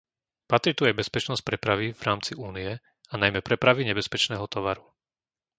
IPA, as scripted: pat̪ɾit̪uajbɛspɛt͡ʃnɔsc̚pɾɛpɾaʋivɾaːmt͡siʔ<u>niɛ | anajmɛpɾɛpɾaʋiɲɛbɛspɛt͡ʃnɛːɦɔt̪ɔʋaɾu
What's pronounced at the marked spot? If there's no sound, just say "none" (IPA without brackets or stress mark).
uː